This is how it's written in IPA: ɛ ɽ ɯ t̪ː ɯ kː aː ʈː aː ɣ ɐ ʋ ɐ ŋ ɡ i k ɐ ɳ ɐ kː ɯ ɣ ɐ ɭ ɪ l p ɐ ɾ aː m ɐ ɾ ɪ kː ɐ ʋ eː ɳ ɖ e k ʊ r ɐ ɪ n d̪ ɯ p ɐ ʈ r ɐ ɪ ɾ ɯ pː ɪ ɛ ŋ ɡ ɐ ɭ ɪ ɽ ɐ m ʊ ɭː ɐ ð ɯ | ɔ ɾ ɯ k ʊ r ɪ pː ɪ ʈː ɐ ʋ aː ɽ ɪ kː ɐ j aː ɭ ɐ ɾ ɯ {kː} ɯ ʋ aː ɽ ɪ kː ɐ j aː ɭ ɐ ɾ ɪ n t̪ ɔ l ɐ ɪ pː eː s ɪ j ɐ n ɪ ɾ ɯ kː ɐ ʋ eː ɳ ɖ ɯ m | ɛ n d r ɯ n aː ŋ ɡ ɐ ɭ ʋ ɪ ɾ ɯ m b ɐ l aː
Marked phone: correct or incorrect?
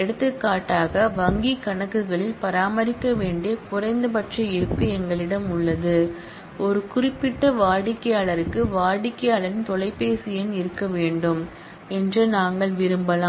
correct